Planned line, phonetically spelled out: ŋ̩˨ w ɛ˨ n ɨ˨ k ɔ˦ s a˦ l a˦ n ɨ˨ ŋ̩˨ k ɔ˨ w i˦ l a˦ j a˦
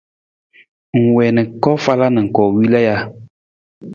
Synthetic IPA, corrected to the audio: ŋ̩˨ w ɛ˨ n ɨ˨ k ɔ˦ f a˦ l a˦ n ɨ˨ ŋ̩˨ k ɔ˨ w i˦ l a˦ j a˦